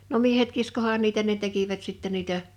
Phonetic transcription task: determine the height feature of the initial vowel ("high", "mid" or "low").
mid